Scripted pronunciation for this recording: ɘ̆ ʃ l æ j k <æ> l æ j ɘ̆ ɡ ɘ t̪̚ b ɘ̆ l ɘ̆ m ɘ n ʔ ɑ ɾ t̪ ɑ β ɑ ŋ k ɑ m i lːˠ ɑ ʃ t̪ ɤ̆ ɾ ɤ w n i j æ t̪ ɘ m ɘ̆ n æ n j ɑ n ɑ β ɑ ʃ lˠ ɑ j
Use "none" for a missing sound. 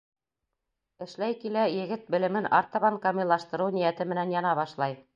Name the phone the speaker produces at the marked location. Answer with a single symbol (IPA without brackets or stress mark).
i